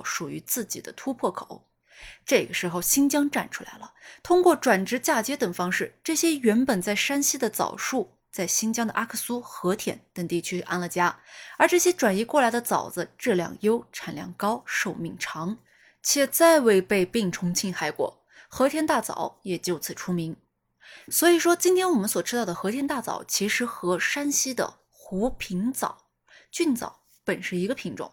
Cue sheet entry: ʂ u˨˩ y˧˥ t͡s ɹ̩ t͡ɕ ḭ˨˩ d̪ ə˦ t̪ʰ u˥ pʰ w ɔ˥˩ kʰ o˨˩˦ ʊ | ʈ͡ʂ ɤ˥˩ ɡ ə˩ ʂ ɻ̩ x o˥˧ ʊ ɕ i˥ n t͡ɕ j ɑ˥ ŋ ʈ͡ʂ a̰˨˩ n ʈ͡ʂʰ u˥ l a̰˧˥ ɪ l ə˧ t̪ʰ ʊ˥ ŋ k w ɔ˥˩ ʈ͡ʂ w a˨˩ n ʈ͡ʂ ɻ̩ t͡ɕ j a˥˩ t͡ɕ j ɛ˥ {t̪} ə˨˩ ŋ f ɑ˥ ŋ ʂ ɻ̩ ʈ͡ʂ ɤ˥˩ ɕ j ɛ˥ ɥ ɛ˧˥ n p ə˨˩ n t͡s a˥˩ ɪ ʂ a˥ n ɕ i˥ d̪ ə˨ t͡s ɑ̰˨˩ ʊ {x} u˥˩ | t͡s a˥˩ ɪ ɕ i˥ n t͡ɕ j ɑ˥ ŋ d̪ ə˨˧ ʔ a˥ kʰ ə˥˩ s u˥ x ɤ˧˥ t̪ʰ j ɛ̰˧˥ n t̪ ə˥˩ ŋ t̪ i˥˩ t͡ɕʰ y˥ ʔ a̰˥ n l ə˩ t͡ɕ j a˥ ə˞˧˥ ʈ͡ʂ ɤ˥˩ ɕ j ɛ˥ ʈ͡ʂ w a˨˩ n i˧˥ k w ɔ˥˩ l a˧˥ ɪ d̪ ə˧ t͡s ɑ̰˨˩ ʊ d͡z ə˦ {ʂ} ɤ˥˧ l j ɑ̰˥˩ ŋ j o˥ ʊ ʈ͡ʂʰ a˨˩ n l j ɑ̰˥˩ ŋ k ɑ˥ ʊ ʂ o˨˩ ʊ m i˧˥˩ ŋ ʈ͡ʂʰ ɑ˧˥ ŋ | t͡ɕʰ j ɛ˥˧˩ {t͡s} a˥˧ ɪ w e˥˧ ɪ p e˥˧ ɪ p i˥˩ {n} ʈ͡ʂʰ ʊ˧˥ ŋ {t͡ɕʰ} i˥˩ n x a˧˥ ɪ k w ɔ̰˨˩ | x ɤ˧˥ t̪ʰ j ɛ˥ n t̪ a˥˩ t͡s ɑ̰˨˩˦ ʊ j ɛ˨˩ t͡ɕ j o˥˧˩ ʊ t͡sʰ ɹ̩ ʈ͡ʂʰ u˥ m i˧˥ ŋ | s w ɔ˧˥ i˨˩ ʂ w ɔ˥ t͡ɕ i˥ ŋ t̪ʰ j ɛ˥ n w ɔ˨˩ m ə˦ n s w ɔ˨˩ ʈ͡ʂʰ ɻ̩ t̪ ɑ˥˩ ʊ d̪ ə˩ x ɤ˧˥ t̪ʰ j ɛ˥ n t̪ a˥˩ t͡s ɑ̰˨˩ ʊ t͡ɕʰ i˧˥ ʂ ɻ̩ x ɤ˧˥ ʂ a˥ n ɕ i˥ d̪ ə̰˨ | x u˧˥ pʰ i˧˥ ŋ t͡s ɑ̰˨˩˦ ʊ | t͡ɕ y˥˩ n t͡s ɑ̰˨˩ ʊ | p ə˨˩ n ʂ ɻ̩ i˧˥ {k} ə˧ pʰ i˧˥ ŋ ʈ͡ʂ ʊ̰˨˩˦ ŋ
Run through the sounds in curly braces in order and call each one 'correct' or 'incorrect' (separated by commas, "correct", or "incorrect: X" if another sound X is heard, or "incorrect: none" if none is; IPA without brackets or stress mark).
correct, incorrect: ʂ, incorrect: ʈ͡ʂ, correct, incorrect: ŋ, correct, incorrect: ɡ